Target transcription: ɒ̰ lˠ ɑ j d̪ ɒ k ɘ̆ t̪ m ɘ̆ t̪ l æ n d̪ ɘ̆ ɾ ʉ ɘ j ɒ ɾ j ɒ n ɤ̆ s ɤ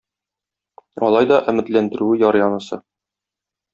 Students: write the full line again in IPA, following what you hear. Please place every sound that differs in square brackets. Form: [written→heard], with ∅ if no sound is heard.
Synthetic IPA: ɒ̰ lˠ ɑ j d̪ ɒ [k→ʔ] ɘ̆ [t̪→∅] m ɘ̆ t̪ l æ n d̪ ɘ̆ ɾ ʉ ɘ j ɒ ɾ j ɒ n ɤ̆ s ɤ